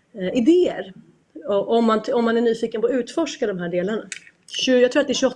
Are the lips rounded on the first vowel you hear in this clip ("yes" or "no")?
no